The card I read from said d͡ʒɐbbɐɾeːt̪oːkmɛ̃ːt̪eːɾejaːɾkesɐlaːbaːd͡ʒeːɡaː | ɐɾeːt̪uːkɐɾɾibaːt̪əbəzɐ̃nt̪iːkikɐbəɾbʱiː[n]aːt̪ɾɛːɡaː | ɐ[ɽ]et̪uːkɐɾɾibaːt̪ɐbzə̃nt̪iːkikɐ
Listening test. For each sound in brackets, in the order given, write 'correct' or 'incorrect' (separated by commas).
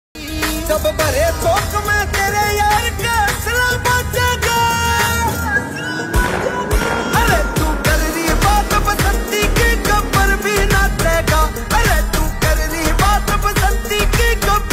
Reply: correct, incorrect